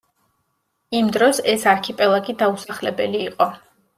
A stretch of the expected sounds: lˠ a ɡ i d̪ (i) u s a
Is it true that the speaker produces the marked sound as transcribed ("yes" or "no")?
no